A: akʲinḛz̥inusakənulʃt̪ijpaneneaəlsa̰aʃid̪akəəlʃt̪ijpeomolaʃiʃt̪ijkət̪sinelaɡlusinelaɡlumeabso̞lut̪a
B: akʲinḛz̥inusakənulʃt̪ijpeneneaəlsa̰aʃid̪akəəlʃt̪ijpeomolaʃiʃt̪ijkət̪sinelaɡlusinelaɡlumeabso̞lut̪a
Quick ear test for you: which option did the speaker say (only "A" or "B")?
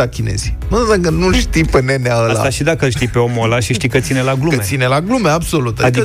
B